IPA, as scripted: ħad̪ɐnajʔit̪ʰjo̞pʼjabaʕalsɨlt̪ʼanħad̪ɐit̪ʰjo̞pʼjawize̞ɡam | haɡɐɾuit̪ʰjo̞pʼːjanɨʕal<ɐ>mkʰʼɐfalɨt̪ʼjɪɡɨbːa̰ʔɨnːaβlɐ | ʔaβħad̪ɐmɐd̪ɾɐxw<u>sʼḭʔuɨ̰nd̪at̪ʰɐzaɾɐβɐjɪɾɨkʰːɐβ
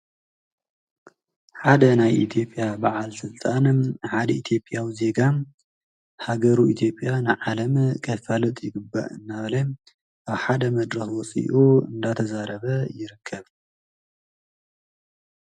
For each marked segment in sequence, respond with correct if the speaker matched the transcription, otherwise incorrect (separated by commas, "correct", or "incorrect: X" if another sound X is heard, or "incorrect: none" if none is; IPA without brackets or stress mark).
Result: correct, incorrect: ɔ